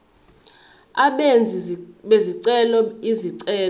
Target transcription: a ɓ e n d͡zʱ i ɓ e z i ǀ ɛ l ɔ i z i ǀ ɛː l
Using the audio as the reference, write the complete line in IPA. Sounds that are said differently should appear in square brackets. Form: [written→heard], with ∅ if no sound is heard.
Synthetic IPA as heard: a ɓ e n d͡zʱ i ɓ e z i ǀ ɛ l ɔ i z i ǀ ɛː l